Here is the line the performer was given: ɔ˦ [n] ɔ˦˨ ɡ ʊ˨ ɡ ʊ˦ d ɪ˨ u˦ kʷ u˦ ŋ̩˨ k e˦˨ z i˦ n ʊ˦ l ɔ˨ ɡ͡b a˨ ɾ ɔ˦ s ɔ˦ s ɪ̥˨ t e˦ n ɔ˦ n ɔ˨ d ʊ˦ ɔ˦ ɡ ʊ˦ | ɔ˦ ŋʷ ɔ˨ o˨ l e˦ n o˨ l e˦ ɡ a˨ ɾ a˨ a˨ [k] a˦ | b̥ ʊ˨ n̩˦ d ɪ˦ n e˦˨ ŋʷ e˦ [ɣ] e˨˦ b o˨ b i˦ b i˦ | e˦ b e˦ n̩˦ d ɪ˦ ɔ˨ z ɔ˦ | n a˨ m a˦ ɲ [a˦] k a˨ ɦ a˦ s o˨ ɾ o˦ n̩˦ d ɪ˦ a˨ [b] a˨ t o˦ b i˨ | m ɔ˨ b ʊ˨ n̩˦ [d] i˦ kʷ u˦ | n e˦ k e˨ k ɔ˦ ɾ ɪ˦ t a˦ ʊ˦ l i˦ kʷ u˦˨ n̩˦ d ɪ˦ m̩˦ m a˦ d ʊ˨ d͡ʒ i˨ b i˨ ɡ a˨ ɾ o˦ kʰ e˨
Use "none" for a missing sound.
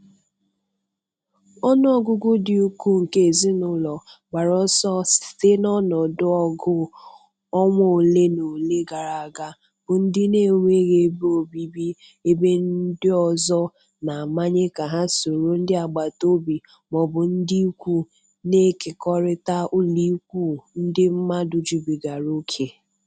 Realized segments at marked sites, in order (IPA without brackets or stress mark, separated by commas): n, ɡ, ɣ, e˦, ɡ͡b, d